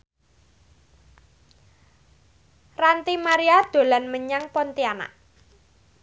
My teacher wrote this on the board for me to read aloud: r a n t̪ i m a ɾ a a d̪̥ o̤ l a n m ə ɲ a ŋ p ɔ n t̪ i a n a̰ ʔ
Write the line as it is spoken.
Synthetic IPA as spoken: r a n t̪ i m a ɾ i a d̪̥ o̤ l a n m ə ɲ a ŋ p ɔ n t̪ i a n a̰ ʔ